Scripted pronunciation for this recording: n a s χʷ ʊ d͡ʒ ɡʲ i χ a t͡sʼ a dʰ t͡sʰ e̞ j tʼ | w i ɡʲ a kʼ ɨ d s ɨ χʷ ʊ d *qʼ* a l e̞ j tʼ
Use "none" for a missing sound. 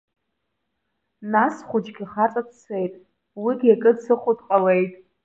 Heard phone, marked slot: qʼ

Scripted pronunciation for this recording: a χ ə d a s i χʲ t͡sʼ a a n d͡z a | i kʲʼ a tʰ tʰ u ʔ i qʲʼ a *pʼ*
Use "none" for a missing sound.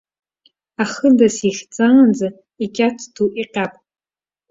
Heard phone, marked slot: pʼ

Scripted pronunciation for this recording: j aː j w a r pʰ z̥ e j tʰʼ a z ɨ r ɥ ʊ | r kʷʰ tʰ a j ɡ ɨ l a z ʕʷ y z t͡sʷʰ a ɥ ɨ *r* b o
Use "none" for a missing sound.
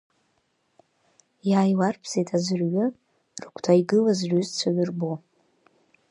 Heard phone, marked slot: r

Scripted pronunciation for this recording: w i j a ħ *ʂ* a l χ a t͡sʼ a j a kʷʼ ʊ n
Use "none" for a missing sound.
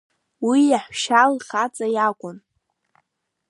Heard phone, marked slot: ʃ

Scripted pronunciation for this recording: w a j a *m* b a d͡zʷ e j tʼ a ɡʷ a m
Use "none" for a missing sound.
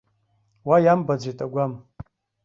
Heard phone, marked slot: m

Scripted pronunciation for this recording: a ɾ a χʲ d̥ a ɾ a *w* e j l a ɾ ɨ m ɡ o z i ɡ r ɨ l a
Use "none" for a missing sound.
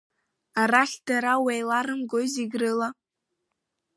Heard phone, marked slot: w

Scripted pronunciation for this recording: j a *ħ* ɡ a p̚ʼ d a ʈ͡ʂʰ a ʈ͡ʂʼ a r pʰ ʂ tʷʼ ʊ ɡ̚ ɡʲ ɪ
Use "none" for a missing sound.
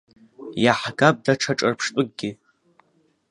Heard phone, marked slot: ħ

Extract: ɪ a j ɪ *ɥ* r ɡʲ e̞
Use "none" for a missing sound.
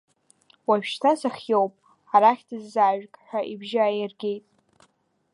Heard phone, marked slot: none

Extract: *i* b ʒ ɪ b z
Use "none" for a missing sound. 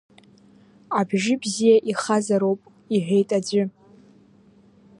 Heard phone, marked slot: a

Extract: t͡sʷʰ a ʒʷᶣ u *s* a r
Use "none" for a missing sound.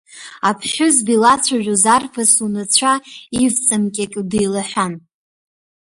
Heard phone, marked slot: z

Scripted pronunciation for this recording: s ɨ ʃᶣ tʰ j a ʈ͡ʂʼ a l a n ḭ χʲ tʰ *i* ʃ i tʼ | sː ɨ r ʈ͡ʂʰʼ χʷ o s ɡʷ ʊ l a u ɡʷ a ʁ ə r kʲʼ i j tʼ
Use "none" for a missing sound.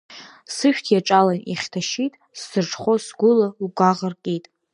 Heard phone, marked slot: a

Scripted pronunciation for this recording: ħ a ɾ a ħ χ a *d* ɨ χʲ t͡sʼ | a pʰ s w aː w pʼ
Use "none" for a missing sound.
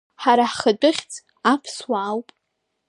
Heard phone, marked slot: d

